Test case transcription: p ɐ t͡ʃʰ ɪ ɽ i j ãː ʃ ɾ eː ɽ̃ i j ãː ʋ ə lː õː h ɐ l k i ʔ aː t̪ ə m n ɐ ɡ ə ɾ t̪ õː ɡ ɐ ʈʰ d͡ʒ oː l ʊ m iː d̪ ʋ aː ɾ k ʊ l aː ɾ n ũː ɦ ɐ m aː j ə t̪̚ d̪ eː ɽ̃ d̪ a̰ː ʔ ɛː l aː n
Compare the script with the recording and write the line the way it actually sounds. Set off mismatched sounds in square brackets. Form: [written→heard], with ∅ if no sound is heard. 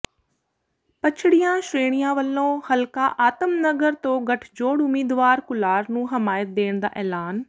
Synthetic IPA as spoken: p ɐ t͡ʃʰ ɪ ɽ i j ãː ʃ ɾ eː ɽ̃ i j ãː ʋ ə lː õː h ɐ l k [i→a] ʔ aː t̪ ə m n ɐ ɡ ə ɾ t̪ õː ɡ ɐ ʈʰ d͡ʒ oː [l→ɽ] ʊ m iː d̪ ʋ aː ɾ k ʊ l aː ɾ n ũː ɦ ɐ m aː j ə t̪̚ d̪ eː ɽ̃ d̪ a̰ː ʔ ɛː l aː n